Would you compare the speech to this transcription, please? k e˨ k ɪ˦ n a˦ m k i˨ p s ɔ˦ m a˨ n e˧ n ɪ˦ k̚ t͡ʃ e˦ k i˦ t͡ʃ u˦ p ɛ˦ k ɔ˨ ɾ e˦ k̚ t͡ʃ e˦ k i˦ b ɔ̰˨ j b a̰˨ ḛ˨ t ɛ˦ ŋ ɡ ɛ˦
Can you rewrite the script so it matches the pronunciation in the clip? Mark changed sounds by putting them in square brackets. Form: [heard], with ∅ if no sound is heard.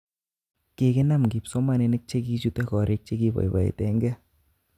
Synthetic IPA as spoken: k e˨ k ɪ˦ n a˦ m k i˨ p s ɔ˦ m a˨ n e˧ n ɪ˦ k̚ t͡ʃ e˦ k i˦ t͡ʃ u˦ [t] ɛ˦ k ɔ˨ ɾ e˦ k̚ t͡ʃ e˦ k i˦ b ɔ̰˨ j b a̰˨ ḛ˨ t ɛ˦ ŋ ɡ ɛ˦